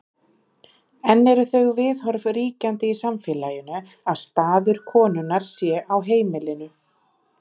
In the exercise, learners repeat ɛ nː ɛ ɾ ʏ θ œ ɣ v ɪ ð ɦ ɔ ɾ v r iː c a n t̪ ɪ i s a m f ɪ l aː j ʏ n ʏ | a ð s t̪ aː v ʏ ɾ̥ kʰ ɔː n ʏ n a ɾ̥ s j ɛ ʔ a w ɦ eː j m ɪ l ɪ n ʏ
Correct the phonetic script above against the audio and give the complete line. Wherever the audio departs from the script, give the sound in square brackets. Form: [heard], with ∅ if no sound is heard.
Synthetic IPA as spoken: ɛ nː ɛ ɾ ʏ θ œ ɣ v ɪ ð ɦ ɔ ɾ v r iː c a n t̪ ɪ i s a m f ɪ l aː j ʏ n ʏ | a ð s t̪ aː [ð] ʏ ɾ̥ kʰ ɔː n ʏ n a ɾ̥ s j ɛ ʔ a w ɦ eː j m ɪ l ɪ n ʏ